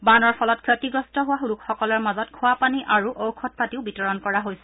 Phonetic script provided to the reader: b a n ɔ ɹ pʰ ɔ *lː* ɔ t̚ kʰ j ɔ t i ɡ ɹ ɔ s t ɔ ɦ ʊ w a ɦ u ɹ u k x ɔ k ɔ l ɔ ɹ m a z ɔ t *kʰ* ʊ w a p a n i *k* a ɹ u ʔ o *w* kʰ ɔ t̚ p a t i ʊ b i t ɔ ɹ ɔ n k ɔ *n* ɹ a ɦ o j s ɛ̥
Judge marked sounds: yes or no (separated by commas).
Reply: no, yes, no, yes, no